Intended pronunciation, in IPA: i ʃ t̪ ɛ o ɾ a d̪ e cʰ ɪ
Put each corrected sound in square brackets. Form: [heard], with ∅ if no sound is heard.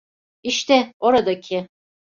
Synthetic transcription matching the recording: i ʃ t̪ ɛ o ɾ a d̪ [a] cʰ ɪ